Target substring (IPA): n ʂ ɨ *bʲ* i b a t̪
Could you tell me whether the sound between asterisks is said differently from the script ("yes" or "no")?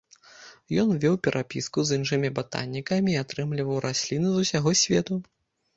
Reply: yes